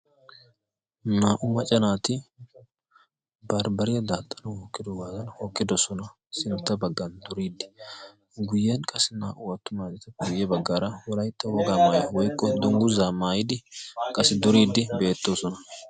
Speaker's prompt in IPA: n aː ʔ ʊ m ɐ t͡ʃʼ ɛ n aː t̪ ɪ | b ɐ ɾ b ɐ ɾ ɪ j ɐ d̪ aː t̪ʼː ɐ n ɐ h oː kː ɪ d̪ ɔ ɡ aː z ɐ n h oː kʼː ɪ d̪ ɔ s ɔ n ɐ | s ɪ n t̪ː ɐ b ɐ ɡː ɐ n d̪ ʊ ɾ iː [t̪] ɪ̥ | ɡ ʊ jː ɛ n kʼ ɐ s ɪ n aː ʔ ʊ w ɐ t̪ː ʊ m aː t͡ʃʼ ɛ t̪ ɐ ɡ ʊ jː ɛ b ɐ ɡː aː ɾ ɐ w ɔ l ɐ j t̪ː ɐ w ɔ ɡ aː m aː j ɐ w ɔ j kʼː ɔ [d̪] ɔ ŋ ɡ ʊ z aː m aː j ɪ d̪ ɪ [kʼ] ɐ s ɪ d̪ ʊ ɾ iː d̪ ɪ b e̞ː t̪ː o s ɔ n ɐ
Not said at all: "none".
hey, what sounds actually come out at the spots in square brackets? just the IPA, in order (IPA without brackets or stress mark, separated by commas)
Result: d̪, d̪, kʼ